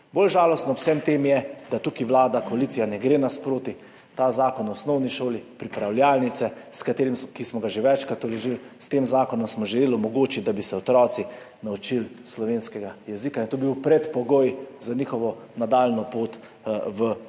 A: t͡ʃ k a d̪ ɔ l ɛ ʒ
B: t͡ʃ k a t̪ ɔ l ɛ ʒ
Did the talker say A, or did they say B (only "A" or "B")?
B